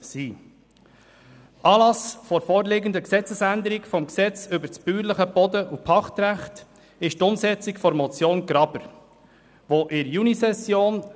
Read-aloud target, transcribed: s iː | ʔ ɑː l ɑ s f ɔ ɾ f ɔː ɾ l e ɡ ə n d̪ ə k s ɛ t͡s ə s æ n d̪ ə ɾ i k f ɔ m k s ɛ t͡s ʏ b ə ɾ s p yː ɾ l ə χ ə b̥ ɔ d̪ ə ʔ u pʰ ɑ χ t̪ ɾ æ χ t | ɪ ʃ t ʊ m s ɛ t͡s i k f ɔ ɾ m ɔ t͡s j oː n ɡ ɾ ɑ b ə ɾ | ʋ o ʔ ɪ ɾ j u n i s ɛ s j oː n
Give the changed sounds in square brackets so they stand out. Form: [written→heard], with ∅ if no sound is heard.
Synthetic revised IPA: s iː | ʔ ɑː l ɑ s f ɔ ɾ f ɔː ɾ l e ɡ ə n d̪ ə k s ɛ t͡s ə s æ n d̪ ə ɾ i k f ɔ m k s ɛ t͡s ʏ b ə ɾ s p yː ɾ l ə χ ə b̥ ɔ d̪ ə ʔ u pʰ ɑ χ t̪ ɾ æ χ t | ɪ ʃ t ʊ m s ɛ t͡s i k f ɔ ɾ m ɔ t͡s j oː n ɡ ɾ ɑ b ə ɾ | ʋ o ʔ ɪ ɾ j u n i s ɛ s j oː n